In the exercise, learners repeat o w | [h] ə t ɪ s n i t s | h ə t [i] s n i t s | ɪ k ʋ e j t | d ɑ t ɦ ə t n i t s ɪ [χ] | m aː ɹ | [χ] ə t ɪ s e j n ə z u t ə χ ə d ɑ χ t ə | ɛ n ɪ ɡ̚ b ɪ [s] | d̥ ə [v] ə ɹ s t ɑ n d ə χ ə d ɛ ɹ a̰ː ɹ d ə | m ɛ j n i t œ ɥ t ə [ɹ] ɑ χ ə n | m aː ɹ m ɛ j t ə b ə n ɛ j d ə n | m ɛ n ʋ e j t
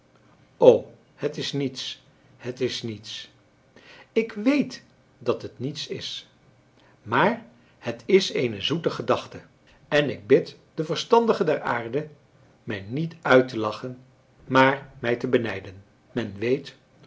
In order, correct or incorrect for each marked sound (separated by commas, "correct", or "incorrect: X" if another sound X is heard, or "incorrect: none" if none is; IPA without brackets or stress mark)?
correct, incorrect: ɪ, incorrect: s, incorrect: h, incorrect: t, correct, incorrect: l